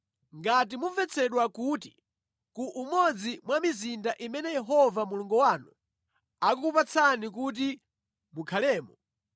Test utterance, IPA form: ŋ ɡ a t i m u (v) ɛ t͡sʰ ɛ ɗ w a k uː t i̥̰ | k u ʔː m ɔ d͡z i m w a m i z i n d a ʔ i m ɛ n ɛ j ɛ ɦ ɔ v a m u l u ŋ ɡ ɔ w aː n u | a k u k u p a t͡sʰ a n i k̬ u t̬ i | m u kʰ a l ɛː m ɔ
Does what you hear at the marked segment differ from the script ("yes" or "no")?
no